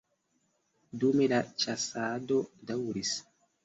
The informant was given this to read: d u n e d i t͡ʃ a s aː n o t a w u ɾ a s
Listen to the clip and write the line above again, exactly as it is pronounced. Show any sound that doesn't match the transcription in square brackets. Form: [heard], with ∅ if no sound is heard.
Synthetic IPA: d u [m] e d [a] t͡ʃ a s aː [d] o [d] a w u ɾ [i] s